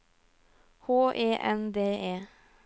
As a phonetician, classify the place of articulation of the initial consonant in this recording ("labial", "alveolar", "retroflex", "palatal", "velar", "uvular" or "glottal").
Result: glottal